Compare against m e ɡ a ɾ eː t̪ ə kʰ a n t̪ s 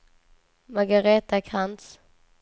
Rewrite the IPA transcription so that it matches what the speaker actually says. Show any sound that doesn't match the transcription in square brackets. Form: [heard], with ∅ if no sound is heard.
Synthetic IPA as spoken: m [a] ɡ a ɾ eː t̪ [a] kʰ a n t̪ s